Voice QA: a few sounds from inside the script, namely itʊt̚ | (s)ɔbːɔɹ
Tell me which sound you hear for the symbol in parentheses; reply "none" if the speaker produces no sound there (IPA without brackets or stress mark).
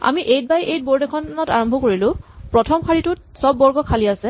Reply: s